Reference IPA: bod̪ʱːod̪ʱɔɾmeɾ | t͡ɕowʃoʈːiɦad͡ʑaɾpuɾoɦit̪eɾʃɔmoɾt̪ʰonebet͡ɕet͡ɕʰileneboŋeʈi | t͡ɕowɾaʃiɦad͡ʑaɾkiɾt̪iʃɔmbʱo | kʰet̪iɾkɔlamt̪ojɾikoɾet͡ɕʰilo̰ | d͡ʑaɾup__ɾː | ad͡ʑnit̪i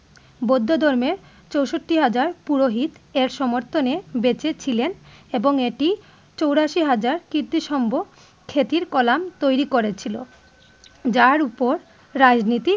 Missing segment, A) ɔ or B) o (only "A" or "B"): B